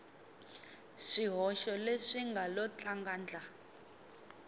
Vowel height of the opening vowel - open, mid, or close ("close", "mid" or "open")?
close